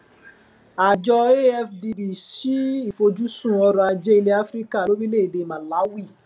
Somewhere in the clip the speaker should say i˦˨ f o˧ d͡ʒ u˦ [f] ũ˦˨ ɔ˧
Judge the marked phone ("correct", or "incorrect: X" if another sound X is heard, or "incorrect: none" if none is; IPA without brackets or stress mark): incorrect: s